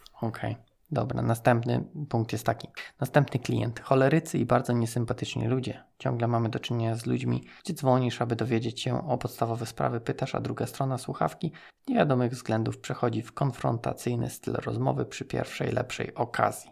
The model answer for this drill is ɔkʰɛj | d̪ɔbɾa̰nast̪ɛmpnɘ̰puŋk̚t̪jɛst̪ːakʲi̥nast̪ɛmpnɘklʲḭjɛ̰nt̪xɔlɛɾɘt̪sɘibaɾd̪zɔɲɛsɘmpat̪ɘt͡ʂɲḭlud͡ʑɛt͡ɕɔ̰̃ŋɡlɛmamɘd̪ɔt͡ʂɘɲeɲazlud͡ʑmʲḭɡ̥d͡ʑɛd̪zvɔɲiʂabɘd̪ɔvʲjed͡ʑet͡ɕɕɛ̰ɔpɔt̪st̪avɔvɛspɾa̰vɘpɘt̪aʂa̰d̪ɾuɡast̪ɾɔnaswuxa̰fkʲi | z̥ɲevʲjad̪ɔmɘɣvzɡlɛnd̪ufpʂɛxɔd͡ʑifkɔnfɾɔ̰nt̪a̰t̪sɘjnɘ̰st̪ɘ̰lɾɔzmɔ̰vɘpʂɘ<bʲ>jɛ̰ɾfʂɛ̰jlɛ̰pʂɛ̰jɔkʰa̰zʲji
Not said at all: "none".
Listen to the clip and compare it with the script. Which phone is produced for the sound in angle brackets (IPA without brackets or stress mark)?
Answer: pʲ